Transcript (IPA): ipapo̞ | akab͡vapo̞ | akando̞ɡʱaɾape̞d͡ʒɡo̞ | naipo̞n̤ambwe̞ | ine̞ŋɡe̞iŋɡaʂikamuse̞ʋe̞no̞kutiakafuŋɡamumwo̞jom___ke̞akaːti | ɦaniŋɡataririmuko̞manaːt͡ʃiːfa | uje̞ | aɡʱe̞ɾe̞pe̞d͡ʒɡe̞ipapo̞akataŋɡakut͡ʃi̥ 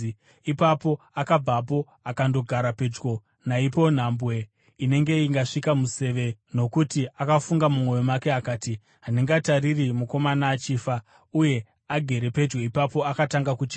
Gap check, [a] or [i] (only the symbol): a